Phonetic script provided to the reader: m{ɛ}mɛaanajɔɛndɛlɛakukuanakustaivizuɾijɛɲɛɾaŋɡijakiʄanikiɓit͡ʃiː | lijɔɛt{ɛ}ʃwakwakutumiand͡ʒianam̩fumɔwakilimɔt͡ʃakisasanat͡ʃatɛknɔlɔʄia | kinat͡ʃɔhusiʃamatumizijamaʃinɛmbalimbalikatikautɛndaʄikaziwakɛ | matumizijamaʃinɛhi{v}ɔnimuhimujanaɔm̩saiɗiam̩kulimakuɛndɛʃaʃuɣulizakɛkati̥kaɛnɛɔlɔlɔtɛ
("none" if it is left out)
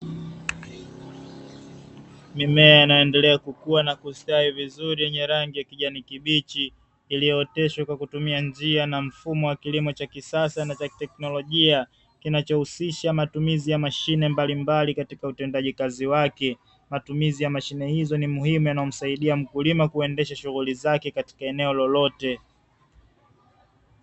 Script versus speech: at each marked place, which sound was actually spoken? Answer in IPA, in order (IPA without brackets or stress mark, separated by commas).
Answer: i, ɛ, z